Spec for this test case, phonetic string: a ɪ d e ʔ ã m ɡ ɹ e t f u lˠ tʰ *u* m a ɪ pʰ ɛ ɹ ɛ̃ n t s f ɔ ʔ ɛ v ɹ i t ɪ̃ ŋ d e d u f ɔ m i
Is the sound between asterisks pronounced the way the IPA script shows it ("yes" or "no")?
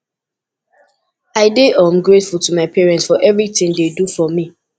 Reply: yes